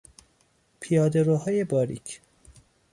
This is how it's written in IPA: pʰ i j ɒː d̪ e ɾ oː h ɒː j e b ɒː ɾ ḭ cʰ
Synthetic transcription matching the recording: pʰ i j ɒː d̪ e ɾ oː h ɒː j e b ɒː ɾ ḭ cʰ